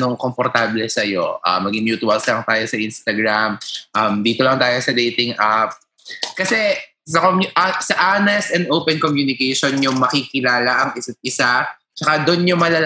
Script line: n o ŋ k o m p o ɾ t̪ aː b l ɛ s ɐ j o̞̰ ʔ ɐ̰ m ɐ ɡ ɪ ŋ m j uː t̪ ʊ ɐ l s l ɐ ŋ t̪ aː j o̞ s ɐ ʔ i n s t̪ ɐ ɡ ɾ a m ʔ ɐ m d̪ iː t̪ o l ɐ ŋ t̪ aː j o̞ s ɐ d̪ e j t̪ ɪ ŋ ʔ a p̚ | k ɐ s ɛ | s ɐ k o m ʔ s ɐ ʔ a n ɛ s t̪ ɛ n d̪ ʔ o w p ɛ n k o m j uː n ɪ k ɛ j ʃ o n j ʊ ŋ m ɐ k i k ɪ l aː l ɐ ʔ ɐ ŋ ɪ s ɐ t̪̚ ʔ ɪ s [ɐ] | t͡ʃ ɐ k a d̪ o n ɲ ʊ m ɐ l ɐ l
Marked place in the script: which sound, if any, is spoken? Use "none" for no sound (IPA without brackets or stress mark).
a